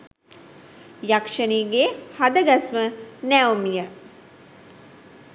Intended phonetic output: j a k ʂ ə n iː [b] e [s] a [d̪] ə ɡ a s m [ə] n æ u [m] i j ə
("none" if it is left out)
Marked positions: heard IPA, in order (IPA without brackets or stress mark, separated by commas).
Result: ɡ, h, d̪, ə, m